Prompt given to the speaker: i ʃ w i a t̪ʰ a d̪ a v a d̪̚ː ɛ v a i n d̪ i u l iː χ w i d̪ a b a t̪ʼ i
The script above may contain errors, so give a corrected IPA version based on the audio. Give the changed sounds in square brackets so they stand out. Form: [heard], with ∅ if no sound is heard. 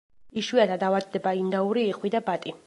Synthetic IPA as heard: i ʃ w i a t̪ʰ a d̪ a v a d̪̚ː ɛ [b] a i n d̪ [a] u [ɾ] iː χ w i d̪ a b a t̪ʼ i